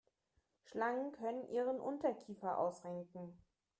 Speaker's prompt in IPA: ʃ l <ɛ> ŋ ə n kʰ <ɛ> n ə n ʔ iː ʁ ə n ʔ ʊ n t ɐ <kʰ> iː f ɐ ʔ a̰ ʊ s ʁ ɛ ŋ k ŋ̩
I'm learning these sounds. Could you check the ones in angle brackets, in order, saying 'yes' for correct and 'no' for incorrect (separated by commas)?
no, no, yes